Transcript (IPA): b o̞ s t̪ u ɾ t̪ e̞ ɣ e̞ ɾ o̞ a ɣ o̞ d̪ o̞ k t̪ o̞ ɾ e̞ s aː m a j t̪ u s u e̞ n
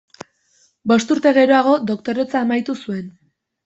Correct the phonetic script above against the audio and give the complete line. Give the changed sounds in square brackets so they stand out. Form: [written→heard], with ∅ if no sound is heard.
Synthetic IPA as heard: b o̞ s t̪ u ɾ t̪ e̞ ɣ e̞ ɾ o̞ a ɣ o̞ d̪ o̞ k t̪ o̞ ɾ e̞ [s→t͡s] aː m a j t̪ u s u e̞ n

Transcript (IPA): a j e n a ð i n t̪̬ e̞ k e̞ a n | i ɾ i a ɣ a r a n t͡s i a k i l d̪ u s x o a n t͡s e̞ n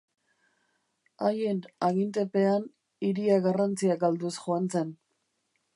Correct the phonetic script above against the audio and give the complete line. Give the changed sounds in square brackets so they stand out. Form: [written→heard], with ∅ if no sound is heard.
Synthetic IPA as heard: a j e n a [ð→ɣ] i n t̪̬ e̞ [k→p] e̞ a n | i ɾ i a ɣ a r a n t͡s i a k [i→a] l d̪ u s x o a n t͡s e̞ n

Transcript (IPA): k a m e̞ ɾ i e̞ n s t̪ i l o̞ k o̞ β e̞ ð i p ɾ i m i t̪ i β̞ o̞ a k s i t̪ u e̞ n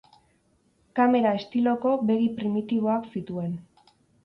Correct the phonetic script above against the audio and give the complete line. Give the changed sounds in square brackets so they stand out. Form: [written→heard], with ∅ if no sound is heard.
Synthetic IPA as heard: k a m e̞ ɾ [i→a] e̞ [n→∅] s t̪ i l o̞ k o̞ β e̞ [ð→ɣ] i p ɾ i m i t̪ i β̞ o̞ a k s i t̪ u e̞ n

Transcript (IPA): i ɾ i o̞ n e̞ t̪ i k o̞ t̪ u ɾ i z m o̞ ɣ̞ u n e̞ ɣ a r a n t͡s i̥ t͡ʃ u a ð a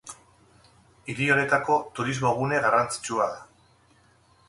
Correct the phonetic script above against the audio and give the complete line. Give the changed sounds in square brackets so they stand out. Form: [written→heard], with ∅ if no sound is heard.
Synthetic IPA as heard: i ɾ i o̞ n e̞ t̪ [i→a] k o̞ t̪ u ɾ i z m o̞ ɣ̞ u n e̞ ɣ a r a n t͡s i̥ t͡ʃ u a ð a

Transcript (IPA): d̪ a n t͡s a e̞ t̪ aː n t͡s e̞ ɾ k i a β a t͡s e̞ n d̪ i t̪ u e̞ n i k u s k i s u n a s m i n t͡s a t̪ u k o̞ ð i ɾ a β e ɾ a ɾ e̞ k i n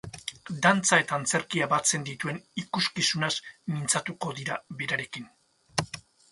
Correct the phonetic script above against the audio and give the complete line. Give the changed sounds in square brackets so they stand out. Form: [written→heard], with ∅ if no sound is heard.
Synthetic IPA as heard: d̪ a n t͡s a e̞ t̪ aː n t͡s e̞ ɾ k i a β a t͡s e̞ n d̪ i t̪ u e̞ n i k u s k i s u n a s m i n t͡s a t̪ u k o̞ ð i ɾ a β e ɾ a ɾ e̞ k i n

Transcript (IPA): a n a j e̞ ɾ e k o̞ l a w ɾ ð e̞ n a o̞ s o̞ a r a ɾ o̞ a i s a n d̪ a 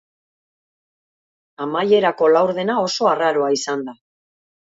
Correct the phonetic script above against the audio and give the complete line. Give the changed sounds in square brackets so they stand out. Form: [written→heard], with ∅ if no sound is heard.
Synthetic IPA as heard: a [n→m] a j e̞ ɾ [e→a] k o̞ l a w ɾ ð e̞ n a o̞ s o̞ a r a ɾ o̞ a i s a n d̪ a

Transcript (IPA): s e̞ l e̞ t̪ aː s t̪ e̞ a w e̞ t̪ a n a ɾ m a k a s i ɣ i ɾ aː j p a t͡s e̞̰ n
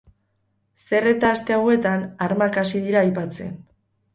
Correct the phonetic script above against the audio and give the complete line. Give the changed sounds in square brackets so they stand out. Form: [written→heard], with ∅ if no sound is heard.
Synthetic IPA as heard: s e̞ [l→r] e̞ t̪ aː s t̪ e̞ a w e̞ t̪ a n a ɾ m a k a s i [ɣ→ð] i ɾ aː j p a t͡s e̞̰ n

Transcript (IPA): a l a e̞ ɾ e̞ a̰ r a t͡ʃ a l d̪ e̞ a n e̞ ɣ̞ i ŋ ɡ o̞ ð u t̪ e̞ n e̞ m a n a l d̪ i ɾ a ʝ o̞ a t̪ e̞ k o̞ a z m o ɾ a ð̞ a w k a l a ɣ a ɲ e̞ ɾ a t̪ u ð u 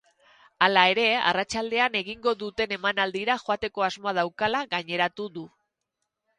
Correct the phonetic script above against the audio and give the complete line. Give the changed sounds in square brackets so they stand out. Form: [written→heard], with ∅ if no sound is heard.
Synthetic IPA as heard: a l a e̞ ɾ e̞ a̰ r a t͡ʃ a l d̪ e̞ a n e̞ ɣ̞ i ŋ ɡ o̞ ð u t̪ e̞ n e̞ m a n a l d̪ i ɾ a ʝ o̞ a t̪ e̞ k o̞ a z m o [ɾ→∅] a ð̞ a w k a l a ɣ a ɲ e̞ ɾ a t̪ u ð u

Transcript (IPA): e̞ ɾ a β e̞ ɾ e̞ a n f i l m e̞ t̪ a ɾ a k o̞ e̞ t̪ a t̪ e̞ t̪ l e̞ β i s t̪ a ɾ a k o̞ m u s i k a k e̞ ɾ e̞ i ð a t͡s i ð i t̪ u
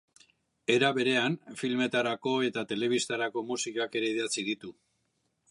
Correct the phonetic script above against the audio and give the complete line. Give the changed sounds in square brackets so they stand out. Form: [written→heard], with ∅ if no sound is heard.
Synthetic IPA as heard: e̞ ɾ a β e̞ ɾ e̞ a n f i l m e̞ t̪ a ɾ a k o̞ e̞ t̪ a t̪ e̞ [t̪→∅] l e̞ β i s t̪ a ɾ a k o̞ m u s i k a k e̞ ɾ e̞ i ð a t͡s i ð i t̪ u

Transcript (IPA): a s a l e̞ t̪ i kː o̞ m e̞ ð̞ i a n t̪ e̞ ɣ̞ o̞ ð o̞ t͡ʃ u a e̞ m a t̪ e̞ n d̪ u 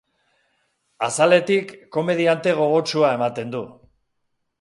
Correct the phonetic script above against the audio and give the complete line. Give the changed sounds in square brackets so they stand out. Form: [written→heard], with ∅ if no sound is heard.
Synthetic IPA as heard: a s a l e̞ t̪ i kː o̞ m e̞ ð̞ i a n t̪ e̞ ɣ̞ o̞ [ð→ɣ] o̞ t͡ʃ u a e̞ m a t̪ e̞ n d̪ u

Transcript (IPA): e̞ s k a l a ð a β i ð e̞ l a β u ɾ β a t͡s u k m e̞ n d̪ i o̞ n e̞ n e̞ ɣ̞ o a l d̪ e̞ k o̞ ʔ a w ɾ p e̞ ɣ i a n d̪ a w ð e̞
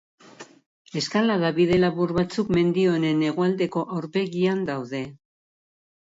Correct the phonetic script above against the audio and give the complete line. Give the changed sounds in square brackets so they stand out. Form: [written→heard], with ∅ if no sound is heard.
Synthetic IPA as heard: e̞ s k a l a ð a β i ð e̞ l a β u ɾ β a t͡s u k m e̞ n d̪ i o̞ n e̞ n e̞ ɣ̞ o a l d̪ e̞ k o̞ ʔ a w ɾ p e̞ ɣ i a n d̪ a w ð e̞

